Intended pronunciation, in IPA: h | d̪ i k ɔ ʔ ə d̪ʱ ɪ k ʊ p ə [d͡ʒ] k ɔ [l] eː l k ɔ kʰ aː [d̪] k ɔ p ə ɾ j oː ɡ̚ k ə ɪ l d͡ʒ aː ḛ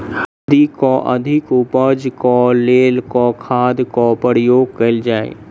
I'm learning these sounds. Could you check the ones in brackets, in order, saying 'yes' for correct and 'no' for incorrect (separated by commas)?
yes, yes, yes